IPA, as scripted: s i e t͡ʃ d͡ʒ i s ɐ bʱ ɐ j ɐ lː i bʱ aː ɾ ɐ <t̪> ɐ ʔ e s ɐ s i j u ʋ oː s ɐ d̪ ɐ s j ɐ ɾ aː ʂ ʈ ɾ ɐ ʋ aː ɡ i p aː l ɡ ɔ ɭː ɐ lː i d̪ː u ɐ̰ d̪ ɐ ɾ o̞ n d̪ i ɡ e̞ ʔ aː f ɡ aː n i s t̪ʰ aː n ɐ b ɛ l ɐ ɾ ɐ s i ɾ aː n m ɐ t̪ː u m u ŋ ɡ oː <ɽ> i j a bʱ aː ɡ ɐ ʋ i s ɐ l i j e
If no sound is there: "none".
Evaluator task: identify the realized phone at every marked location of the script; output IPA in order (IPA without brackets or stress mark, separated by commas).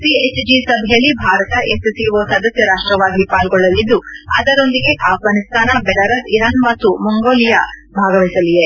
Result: t̪, l